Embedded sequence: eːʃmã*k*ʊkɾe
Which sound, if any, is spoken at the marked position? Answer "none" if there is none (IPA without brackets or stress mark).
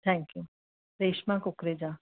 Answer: k